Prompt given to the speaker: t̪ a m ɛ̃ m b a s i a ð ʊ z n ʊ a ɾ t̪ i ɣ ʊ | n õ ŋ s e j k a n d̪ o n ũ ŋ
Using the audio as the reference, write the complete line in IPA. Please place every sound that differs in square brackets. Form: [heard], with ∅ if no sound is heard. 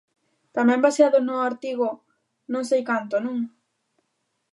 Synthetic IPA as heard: t̪ a m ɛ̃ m b a s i a ð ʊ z n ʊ a ɾ t̪ i ɣ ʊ | n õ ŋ s e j k a n [t̪] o n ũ ŋ